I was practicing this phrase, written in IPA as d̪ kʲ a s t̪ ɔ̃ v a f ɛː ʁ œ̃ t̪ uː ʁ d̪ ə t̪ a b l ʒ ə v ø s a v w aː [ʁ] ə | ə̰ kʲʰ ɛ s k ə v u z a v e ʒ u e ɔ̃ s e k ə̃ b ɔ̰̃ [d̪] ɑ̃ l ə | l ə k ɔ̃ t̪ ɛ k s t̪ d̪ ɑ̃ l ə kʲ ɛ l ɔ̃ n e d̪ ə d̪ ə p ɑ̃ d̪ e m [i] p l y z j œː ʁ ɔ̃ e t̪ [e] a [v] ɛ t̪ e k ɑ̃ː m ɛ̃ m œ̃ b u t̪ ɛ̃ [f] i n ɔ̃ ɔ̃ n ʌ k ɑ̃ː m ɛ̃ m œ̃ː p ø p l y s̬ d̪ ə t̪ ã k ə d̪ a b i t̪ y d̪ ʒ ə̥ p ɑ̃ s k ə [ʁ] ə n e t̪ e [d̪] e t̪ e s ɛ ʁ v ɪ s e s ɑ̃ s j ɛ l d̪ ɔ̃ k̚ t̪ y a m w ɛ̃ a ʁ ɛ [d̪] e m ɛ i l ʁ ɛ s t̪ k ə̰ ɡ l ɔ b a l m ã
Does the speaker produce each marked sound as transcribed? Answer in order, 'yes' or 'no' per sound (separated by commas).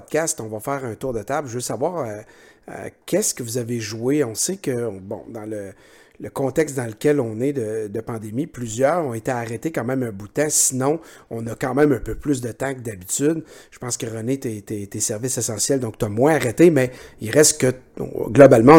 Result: yes, yes, yes, yes, no, no, yes, no, no